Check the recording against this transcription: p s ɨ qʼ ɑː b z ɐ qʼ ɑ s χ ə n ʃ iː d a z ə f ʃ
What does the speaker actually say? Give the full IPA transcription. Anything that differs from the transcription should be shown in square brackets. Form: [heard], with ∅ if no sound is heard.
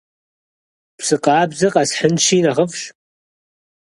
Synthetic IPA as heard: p s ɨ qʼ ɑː b z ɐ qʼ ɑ s [ħ] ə n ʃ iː [n] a [ʁ] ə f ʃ